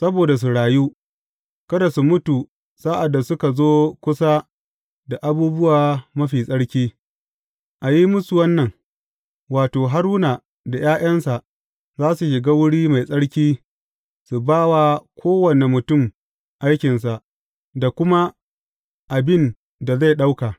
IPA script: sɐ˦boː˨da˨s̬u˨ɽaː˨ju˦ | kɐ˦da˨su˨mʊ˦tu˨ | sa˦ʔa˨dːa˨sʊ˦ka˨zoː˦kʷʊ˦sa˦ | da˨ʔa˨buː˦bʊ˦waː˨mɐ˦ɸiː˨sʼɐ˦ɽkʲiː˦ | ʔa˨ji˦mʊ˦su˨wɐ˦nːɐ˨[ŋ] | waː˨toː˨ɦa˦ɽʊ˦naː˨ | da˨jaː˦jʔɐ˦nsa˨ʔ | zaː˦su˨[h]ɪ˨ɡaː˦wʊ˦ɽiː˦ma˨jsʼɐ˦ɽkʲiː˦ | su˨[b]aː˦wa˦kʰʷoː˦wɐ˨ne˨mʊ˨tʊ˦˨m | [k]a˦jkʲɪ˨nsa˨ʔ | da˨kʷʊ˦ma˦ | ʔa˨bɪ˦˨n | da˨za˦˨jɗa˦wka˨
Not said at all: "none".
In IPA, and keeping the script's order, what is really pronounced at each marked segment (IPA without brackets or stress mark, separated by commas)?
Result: ŋ, ʃ, b, ʔ